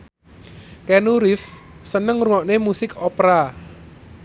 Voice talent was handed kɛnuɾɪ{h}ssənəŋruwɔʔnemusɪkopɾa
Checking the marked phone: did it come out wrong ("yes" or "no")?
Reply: yes